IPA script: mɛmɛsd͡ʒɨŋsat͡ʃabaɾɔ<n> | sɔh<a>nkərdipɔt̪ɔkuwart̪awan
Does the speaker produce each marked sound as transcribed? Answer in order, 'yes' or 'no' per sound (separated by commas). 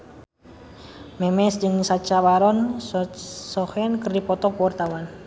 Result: yes, no